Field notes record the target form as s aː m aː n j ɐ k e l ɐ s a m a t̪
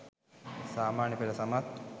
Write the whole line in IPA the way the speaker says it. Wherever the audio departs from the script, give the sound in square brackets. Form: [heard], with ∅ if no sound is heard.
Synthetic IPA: s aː m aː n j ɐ [p] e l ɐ s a m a t̪